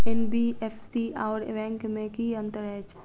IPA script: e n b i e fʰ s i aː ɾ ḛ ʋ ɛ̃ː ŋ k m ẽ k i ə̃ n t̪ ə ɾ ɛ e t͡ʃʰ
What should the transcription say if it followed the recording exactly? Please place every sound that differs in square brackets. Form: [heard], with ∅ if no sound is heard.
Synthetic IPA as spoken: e n b i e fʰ s i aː ɾ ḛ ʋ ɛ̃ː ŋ k m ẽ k i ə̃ n t̪ ə ɾ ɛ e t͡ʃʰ